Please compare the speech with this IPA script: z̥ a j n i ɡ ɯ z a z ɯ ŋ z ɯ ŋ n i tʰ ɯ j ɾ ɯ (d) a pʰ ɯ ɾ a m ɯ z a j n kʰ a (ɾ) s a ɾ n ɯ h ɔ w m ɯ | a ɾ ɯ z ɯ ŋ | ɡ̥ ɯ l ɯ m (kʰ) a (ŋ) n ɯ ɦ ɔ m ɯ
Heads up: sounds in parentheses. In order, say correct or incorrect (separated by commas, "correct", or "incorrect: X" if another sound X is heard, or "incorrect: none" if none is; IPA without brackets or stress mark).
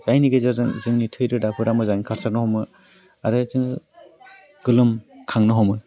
correct, correct, correct, correct